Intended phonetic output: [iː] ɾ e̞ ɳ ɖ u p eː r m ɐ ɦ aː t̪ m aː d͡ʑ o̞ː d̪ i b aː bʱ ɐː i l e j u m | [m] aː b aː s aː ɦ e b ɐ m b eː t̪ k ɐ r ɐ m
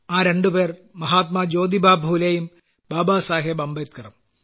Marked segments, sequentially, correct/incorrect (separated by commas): incorrect, incorrect